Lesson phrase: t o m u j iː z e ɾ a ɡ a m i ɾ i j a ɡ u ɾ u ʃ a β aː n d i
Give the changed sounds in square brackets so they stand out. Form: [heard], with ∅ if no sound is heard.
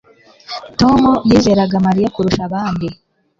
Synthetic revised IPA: t o m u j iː z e ɾ a ɡ a m [a] ɾ i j a [k] u ɾ u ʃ a β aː n d i